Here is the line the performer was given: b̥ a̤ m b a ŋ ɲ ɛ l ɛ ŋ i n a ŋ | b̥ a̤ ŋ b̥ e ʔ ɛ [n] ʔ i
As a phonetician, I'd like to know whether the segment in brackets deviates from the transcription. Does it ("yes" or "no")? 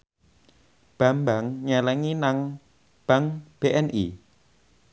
no